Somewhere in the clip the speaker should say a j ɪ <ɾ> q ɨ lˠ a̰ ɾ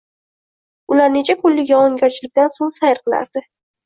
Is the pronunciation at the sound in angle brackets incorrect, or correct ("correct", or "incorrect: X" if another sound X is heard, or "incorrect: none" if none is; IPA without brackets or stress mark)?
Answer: correct